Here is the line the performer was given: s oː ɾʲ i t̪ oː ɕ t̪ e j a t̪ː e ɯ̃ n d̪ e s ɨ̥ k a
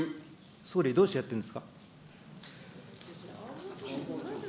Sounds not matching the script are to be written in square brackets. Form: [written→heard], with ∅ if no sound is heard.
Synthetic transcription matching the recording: s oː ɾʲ i [t̪→d̪] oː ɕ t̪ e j a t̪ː e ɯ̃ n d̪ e s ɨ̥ k a